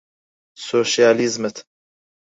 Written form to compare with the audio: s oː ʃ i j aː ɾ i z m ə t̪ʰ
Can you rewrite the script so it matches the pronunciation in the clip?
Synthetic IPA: s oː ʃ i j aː l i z m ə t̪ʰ